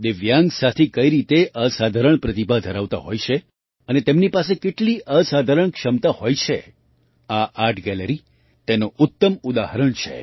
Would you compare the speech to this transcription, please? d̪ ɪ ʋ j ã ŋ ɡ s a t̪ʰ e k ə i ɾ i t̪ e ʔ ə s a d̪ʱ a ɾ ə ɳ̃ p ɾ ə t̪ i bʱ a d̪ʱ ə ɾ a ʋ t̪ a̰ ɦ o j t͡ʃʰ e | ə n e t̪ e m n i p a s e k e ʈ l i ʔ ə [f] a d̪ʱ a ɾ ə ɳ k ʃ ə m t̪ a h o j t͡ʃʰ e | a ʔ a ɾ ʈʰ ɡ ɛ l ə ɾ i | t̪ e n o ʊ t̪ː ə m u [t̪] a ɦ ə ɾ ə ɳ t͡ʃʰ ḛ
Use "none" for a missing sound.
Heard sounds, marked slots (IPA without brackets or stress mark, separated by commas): s, d̪